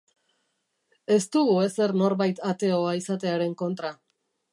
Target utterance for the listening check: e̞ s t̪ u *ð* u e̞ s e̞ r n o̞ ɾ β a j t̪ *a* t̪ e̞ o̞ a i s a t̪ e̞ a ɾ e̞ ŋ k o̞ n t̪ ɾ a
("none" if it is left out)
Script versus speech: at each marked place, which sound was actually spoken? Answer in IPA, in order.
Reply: ɣ, a

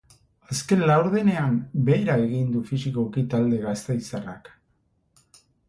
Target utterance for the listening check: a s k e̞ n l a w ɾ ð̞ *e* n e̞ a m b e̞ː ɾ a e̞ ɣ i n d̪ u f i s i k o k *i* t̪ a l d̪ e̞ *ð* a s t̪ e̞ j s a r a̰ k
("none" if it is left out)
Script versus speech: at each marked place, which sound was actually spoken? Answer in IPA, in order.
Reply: e, i, ɣ

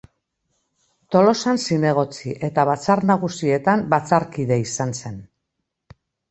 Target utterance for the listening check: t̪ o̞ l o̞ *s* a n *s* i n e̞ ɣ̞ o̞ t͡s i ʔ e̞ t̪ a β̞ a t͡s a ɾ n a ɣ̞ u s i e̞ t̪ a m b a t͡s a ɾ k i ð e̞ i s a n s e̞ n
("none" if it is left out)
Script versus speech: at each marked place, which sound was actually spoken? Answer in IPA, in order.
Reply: s, s

